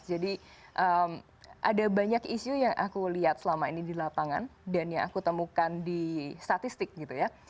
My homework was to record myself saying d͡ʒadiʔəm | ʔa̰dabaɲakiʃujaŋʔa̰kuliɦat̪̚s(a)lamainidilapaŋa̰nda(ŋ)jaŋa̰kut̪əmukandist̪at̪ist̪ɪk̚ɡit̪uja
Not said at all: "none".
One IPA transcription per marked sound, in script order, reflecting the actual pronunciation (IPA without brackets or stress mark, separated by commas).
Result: ə, n